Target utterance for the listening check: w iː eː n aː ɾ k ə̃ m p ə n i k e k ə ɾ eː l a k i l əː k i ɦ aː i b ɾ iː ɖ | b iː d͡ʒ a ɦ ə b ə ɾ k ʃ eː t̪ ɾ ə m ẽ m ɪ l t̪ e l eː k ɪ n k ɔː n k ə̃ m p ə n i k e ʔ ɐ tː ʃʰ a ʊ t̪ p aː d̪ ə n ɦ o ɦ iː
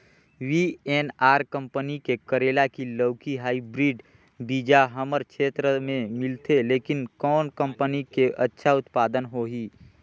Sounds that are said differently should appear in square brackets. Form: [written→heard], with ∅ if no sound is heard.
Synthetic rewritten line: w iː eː n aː ɾ k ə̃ m p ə n i k e k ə ɾ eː l a k i l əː k i ɦ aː i b ɾ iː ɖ | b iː d͡ʒ a ɦ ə [b→m] ə ɾ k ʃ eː t̪ ɾ ə m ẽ m ɪ l t̪ e l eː k ɪ n k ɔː n k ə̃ m p ə n i k e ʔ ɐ tː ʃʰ a ʊ t̪ p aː d̪ ə n ɦ o ɦ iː